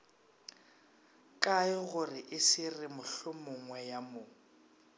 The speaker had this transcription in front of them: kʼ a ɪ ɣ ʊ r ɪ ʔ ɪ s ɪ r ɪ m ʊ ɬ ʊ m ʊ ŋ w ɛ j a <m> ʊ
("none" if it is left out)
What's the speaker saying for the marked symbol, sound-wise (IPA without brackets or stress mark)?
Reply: m